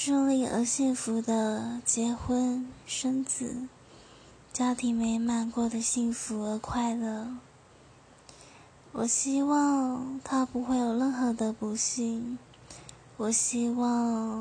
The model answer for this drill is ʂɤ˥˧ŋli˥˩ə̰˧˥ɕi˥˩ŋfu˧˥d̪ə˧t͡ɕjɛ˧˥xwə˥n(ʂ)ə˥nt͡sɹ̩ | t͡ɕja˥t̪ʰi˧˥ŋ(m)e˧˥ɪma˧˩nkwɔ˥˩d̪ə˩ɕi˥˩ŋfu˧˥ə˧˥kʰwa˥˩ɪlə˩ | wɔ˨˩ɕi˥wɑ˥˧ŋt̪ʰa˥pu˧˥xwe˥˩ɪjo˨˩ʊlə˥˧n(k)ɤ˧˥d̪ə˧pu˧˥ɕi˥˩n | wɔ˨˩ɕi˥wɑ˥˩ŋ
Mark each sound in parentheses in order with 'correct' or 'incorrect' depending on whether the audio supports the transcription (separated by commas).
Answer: correct, correct, incorrect